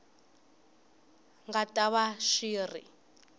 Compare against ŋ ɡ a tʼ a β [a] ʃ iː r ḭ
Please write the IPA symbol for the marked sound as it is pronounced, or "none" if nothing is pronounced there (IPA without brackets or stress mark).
a